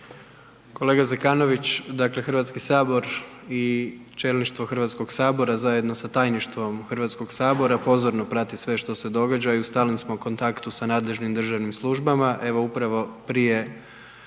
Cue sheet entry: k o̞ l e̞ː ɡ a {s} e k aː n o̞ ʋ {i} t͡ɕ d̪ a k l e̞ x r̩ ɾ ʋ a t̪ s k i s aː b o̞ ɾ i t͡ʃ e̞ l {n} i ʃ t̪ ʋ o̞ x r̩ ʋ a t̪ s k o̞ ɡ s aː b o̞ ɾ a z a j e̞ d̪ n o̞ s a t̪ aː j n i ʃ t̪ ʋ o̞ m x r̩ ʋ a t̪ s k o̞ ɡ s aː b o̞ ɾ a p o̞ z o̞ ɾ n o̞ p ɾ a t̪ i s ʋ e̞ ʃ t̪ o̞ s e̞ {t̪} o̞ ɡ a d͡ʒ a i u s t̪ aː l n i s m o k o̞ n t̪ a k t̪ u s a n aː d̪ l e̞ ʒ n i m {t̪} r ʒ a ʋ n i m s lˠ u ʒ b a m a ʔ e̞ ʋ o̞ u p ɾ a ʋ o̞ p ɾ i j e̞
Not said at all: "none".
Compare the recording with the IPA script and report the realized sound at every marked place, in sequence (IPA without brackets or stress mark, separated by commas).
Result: z, i, n, d̪, d̪